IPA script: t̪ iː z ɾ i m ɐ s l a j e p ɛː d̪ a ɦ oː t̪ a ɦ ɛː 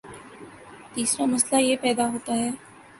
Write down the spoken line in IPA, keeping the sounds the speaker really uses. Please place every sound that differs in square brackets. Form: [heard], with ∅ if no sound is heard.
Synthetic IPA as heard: t̪ iː [s] ɾ [a] m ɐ s l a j e p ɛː d̪ a ɦ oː t̪ a ɦ ɛː